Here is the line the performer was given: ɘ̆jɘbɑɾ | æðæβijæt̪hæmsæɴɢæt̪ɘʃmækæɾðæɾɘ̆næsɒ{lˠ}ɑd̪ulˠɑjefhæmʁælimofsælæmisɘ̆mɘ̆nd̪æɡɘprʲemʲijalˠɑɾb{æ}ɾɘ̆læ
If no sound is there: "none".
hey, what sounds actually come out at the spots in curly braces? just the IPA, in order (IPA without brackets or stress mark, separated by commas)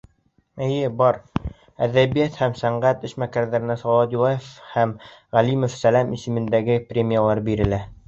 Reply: lˠ, i